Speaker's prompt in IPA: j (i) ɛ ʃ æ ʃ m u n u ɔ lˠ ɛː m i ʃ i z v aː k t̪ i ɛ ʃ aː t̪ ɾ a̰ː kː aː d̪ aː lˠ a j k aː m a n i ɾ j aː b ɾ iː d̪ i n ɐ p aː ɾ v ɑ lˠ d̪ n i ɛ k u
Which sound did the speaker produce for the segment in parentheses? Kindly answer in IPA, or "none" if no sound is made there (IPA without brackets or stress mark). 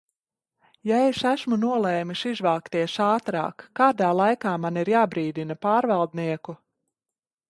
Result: a